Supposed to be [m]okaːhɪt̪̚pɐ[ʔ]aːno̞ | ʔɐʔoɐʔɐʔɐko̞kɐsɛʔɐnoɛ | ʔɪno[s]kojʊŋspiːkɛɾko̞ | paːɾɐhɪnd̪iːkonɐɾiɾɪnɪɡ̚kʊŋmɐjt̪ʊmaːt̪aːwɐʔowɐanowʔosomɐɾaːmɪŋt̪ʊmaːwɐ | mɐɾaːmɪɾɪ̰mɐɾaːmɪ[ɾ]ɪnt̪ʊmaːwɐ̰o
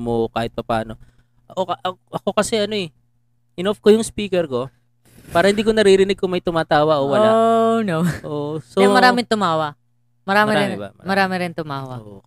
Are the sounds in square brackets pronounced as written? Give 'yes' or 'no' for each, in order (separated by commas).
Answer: yes, no, no, yes